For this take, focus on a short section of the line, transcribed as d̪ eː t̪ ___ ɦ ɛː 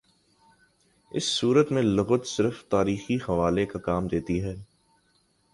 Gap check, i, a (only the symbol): i